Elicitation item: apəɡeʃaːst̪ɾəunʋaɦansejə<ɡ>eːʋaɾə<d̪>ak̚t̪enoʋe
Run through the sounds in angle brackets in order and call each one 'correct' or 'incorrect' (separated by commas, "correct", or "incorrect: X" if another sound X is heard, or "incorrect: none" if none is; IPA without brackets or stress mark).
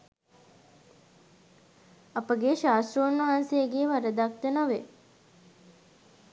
correct, correct